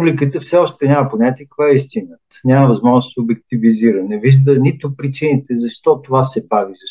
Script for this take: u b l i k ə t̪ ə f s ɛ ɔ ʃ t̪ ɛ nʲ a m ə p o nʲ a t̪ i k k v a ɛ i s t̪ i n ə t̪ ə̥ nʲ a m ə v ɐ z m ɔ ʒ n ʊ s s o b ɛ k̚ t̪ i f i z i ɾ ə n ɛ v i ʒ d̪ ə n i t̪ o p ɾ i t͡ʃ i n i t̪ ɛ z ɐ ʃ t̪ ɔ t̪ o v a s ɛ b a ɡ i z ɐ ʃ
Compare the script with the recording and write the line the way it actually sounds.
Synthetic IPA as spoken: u b l i k ə t̪ ə f s ɛ ɔ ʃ t̪ ɛ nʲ a m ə p o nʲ a t̪ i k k v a ɛ i s t̪ i n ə t̪ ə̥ nʲ a m ə v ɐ z m ɔ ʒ n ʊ s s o b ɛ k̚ t̪ i v i z i ɾ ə n ɛ v i ʒ d̪ ə n i t̪ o p ɾ i t͡ʃ i n i t̪ ɛ z ɐ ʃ t̪ ɔ t̪ o v a s ɛ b a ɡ i z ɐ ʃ